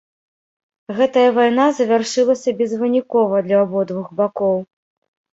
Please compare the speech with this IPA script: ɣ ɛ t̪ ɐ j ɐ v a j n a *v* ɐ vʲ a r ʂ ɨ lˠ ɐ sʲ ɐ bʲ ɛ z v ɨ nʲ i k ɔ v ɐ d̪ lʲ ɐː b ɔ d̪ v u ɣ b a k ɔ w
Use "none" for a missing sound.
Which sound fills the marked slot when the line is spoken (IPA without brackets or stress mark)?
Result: z